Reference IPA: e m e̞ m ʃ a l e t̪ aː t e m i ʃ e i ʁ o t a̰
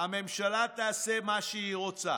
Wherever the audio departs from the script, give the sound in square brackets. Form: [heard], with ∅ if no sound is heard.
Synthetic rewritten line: [a] m e̞ m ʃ a l [a] t̪ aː [s] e m [a] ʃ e i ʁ o [t͡s] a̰